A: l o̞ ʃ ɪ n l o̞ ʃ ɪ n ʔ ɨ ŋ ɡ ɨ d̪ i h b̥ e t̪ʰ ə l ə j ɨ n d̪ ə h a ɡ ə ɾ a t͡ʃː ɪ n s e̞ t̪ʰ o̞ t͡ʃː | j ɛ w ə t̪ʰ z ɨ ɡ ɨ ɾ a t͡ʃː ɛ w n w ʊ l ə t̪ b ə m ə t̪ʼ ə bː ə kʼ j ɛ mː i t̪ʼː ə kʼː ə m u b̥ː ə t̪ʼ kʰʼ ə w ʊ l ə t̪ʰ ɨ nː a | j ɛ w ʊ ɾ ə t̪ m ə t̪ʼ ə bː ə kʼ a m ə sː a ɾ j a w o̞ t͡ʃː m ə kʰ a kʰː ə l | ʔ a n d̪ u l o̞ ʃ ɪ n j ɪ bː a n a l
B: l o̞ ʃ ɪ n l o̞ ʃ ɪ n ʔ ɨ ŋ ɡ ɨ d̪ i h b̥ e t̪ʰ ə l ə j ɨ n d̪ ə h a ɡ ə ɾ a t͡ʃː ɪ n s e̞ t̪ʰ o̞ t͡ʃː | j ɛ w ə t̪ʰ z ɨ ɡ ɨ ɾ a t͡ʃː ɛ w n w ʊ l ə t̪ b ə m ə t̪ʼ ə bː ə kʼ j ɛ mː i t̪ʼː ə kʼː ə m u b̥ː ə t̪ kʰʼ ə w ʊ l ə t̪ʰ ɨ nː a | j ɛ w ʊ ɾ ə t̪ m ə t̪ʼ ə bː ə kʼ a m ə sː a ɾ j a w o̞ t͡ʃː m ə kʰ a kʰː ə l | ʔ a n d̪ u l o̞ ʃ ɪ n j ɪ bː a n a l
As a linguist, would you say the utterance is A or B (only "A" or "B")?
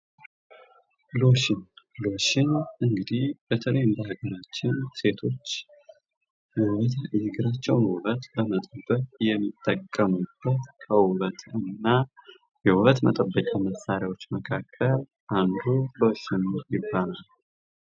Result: B